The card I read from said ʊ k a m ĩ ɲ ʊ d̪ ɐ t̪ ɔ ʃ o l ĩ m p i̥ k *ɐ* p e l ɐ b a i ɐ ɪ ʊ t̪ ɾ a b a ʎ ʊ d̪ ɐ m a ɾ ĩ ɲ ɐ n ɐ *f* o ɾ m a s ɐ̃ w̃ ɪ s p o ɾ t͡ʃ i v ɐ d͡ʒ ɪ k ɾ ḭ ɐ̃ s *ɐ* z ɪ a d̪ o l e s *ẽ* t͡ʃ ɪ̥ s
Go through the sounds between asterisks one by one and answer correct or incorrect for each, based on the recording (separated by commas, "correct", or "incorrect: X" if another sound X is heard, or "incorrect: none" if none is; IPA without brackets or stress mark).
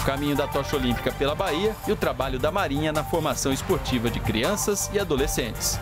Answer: correct, correct, correct, correct